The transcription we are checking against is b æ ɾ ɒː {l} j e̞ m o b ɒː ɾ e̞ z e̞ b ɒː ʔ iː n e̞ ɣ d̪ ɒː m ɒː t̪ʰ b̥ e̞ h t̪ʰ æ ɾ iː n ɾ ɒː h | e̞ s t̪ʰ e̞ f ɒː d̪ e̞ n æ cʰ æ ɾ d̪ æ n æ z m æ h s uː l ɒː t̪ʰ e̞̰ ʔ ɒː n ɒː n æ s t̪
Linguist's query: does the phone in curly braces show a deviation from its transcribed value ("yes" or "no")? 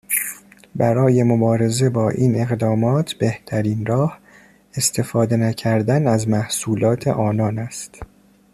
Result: yes